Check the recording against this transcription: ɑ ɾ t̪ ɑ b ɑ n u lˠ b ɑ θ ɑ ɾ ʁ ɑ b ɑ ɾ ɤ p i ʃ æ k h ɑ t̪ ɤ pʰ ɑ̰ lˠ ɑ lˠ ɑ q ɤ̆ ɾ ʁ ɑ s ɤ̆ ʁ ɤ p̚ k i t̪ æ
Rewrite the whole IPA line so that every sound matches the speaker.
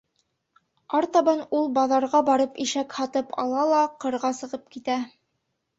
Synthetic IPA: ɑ ɾ t̪ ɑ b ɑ n u lˠ b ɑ ð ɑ ɾ ʁ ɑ b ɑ ɾ ɤ p i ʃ æ k h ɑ t̪ ɤ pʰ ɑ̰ lˠ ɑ lˠ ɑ q ɤ̆ ɾ ʁ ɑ s ɤ̆ ʁ ɤ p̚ k i t̪ æ